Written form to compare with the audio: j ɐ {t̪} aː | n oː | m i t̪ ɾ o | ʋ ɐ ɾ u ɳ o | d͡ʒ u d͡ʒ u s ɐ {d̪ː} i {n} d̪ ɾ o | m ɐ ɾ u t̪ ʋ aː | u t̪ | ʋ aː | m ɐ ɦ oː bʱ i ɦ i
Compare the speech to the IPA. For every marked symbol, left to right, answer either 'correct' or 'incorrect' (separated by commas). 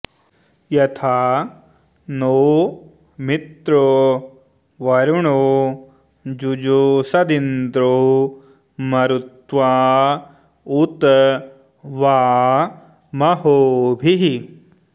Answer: incorrect, incorrect, correct